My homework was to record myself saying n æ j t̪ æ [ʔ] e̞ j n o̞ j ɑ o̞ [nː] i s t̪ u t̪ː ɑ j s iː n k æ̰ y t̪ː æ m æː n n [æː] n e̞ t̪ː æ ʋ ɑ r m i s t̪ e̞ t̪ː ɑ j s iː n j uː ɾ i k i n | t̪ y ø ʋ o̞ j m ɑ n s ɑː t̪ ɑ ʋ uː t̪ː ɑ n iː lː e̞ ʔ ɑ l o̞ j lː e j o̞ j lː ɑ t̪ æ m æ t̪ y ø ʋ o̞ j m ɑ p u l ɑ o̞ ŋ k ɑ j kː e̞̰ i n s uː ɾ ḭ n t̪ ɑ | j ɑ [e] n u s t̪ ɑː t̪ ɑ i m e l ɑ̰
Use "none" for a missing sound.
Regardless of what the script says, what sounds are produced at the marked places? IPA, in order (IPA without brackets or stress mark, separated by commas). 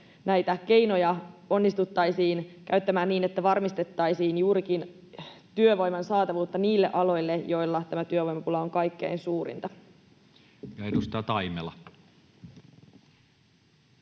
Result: k, nː, iː, e